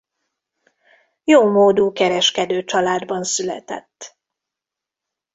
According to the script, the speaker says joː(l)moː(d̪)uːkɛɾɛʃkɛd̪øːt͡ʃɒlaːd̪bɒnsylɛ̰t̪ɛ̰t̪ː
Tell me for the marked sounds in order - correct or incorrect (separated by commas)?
incorrect, correct